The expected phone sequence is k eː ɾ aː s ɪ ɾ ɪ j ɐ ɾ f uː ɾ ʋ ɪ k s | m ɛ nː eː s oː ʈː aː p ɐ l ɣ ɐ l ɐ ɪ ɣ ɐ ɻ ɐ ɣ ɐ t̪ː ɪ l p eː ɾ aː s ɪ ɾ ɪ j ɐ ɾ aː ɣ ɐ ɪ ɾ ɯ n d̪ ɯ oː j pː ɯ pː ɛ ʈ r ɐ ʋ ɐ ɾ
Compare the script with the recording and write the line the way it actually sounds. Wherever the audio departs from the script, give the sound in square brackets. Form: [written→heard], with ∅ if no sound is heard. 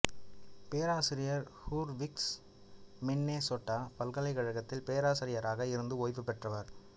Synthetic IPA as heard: [k→p] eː ɾ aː s ɪ ɾ ɪ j ɐ ɾ [f→h] uː ɾ ʋ ɪ k s | m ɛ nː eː s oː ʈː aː p ɐ l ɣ ɐ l ɐ ɪ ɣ ɐ ɻ ɐ ɣ ɐ t̪ː ɪ l p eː ɾ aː s ɪ ɾ ɪ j ɐ ɾ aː ɣ ɐ ɪ ɾ ɯ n d̪ ɯ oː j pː ɯ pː ɛ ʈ r ɐ ʋ ɐ ɾ